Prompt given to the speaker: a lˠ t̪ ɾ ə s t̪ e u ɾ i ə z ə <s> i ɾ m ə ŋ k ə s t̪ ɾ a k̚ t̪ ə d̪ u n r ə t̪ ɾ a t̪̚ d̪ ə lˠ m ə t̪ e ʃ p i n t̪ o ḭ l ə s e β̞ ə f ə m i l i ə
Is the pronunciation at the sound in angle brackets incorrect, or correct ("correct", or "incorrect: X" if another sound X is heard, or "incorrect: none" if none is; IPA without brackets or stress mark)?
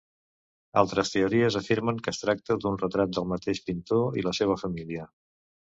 incorrect: f